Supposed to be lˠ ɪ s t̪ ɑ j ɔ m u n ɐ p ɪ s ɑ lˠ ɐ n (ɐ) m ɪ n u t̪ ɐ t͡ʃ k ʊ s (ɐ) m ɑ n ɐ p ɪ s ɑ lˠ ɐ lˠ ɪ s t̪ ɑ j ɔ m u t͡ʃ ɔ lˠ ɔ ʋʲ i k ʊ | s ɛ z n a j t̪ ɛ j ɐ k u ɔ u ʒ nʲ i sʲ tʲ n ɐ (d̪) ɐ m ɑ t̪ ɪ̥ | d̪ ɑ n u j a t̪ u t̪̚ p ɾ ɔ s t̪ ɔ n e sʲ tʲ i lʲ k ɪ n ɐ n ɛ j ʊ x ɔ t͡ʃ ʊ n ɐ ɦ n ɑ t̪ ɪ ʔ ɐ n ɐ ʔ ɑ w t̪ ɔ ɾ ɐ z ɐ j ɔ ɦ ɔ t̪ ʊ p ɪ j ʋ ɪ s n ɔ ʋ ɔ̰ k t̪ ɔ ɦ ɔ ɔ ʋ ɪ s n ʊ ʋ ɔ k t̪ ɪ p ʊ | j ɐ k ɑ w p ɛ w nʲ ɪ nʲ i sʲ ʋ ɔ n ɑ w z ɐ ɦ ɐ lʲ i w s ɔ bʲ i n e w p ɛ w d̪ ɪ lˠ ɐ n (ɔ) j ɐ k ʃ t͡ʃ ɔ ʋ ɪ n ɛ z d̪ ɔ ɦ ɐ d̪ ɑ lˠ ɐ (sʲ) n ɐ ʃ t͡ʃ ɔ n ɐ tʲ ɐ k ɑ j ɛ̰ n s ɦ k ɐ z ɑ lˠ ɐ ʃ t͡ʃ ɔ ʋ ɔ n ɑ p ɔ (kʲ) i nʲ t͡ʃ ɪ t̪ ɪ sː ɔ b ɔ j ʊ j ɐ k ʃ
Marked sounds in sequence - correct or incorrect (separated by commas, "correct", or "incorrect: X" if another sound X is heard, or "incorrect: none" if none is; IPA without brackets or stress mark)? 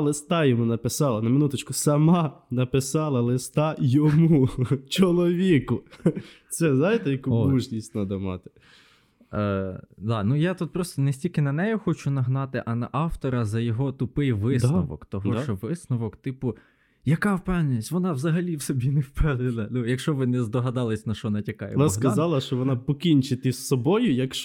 correct, correct, correct, incorrect: u, correct, correct